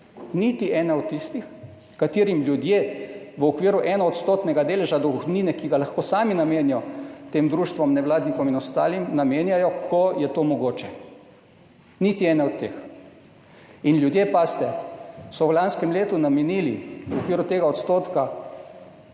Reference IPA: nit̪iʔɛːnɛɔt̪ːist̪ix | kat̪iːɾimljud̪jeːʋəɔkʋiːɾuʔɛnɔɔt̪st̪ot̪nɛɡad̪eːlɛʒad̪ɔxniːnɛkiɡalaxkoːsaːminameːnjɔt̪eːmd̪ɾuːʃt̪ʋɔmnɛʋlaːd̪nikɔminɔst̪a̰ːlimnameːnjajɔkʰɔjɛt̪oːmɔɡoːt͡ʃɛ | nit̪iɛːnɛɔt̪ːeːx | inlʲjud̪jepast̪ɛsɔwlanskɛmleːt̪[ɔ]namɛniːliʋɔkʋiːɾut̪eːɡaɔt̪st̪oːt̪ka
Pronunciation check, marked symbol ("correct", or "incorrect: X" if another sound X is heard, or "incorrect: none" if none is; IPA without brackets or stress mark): incorrect: u